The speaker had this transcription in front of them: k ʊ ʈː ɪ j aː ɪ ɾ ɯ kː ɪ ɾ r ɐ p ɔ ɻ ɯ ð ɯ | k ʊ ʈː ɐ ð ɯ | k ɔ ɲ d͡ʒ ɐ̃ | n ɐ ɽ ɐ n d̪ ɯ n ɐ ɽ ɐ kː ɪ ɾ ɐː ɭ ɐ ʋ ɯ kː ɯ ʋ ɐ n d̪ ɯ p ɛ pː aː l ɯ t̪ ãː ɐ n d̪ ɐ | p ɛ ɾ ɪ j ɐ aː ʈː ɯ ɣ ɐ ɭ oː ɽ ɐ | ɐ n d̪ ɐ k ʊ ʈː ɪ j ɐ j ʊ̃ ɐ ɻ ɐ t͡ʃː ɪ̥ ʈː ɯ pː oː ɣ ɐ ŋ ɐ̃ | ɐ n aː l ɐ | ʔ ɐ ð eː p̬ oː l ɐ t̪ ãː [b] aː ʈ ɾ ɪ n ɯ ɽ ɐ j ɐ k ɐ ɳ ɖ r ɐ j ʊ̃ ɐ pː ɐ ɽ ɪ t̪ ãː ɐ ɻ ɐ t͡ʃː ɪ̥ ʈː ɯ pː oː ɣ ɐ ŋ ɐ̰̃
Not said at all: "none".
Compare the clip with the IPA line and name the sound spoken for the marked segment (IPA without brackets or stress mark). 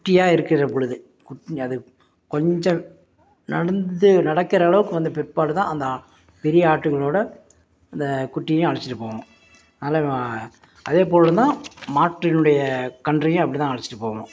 m